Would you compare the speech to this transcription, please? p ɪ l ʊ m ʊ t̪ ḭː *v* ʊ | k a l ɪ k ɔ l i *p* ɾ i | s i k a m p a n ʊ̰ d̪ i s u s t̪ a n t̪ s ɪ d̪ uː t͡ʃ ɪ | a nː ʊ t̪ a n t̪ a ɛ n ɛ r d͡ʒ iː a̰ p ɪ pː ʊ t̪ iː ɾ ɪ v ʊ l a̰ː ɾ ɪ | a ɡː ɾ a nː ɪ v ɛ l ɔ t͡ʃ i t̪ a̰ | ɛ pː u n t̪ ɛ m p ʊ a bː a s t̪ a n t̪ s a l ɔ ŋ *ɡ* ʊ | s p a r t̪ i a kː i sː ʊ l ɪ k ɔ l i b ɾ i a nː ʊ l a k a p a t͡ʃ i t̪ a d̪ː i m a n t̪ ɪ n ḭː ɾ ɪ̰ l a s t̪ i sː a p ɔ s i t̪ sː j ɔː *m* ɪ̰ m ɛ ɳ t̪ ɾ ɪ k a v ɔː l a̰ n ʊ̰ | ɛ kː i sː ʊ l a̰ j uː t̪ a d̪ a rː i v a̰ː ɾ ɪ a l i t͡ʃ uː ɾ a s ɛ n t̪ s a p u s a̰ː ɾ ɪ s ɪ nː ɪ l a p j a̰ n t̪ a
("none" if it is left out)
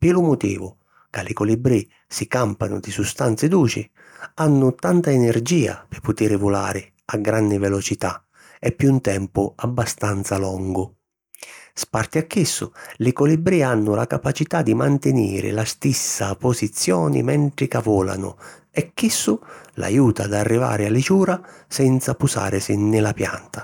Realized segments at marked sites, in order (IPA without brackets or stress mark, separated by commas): v, b, ɡ, n